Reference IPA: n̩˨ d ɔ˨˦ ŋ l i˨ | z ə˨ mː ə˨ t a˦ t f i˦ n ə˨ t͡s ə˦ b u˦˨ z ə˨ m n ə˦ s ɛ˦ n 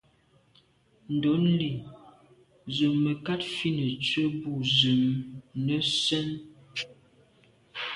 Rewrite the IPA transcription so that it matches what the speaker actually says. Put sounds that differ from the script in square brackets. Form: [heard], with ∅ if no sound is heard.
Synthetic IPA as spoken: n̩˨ d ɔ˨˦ [n] l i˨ | z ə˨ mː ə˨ [k] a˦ t f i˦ n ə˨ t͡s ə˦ b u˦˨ z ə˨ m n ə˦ s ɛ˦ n